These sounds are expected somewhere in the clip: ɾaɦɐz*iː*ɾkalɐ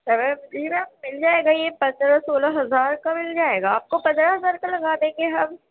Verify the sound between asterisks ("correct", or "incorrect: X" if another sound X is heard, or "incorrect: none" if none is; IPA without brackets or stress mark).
incorrect: aː